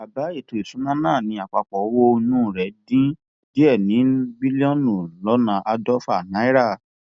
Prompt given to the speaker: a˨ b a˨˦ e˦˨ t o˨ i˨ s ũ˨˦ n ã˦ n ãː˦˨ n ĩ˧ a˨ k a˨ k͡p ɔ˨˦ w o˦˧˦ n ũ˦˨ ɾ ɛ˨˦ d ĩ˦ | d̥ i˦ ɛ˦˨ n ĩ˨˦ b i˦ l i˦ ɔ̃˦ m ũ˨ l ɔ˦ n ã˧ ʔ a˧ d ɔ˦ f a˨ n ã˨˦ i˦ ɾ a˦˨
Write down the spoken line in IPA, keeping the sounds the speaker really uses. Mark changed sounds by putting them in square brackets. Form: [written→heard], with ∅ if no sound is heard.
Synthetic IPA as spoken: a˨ b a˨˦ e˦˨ t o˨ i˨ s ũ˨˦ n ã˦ n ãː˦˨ n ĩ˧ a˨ [k→k͡p] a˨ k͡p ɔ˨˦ w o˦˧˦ n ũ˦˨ ɾ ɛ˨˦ d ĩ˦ | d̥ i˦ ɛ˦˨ n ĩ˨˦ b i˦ l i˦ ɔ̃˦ [m→n] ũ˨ l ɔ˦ n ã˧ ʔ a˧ d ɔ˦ f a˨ n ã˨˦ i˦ ɾ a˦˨

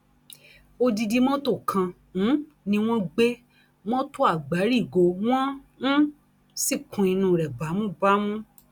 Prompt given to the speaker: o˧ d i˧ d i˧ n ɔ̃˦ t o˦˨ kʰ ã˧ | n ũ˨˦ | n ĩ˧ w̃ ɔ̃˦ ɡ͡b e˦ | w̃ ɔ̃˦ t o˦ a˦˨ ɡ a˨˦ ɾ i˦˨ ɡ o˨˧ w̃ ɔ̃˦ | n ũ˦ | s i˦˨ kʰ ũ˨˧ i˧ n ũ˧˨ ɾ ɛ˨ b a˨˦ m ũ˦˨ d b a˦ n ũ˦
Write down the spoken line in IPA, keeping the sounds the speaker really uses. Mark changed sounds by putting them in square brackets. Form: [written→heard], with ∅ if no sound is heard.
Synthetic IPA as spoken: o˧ d i˧ d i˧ [n→m] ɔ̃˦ t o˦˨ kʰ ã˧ | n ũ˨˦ | n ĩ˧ w̃ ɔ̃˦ ɡ͡b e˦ | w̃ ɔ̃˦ t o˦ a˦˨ [ɡ→ɡ͡b] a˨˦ ɾ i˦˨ ɡ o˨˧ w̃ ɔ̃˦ | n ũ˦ | s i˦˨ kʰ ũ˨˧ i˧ n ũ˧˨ ɾ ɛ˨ b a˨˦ m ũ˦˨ [d→∅] b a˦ [n→m] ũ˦

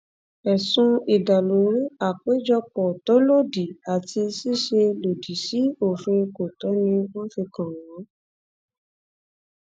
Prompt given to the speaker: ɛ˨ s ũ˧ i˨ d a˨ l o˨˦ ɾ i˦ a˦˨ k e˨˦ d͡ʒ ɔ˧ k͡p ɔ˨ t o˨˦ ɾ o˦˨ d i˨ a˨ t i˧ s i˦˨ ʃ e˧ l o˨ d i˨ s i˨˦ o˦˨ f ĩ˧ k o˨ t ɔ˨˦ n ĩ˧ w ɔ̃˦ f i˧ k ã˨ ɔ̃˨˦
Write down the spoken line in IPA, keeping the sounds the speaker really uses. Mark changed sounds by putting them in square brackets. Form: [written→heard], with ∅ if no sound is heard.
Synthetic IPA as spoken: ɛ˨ s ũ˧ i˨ d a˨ l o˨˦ ɾ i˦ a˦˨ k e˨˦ d͡ʒ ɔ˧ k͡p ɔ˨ t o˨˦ [ɾ→l] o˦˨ d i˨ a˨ t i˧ s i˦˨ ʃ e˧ l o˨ d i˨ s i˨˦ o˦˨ f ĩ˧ k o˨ t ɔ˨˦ n ĩ˧ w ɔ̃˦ f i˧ k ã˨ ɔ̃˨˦

